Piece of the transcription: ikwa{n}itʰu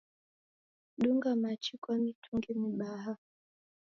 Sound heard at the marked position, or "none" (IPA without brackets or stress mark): m